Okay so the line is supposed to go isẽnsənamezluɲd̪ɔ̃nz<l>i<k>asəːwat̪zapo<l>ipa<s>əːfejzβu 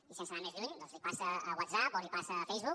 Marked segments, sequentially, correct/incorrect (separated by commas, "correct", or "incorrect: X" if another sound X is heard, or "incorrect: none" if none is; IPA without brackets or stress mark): correct, incorrect: p, correct, correct